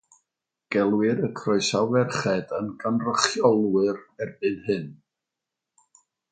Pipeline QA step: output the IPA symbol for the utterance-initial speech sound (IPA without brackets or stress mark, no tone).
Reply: ɡ̥